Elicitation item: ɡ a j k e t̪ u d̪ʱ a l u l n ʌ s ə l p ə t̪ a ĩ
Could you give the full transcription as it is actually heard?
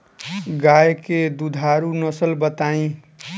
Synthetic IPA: ɡ a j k e d̪ u d̪ʱ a ɾ u n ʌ s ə l b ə t̪ a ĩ